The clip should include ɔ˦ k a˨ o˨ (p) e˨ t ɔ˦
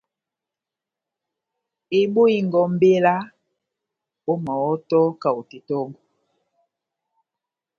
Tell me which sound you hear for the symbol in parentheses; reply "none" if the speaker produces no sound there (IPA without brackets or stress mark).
t